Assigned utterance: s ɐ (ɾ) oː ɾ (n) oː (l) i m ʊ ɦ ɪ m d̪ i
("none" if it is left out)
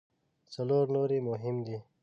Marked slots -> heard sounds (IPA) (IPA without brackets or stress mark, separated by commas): l, n, ɾ